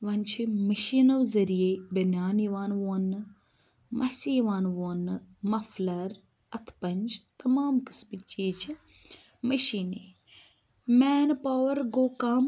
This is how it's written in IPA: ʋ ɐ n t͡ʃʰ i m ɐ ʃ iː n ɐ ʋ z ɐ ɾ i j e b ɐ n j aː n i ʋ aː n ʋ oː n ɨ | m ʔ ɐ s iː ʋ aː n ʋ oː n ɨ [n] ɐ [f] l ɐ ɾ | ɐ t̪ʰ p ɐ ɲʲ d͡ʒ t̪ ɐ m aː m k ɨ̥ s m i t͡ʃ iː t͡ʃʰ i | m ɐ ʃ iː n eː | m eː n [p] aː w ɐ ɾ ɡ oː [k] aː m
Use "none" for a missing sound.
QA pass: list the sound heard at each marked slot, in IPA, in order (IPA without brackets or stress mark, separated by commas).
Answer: m, f, p, k